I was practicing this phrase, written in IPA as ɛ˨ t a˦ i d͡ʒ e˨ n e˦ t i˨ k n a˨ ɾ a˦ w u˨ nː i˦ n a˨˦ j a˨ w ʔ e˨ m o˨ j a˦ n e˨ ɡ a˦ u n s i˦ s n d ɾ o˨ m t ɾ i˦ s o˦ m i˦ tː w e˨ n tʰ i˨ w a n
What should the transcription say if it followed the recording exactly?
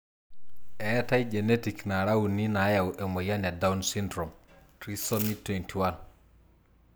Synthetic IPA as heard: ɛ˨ t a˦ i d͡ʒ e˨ n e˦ t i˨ k n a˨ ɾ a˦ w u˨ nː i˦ n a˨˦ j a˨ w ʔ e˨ m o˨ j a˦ n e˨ d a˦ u n s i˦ n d ɾ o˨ m t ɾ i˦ s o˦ m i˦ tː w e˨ n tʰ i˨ w a n